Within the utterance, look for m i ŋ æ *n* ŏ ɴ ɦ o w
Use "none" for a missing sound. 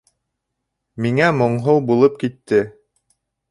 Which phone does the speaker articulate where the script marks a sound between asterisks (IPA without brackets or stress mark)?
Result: m